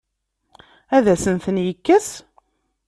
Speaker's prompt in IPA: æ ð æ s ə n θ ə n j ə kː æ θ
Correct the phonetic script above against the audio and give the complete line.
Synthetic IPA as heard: æ ð æ s ə n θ ə n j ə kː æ s